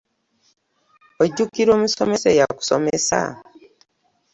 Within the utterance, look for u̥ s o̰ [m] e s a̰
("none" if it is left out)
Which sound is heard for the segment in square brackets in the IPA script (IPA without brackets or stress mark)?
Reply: m